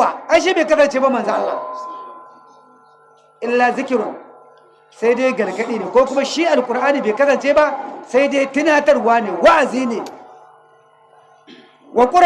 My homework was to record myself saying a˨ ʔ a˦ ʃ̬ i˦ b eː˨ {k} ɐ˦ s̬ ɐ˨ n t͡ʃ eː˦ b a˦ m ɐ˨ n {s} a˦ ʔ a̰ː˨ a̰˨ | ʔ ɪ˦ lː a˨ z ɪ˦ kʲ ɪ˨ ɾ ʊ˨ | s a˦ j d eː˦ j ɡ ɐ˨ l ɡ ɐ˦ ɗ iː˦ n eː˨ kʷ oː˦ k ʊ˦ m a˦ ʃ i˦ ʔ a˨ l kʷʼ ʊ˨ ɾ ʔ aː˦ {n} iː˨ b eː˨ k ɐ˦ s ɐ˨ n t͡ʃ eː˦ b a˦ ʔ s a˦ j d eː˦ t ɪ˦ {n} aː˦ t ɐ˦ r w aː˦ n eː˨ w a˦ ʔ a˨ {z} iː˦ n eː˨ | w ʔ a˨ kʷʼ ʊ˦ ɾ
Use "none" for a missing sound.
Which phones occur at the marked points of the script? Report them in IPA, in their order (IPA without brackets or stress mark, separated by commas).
k, z, n, n, z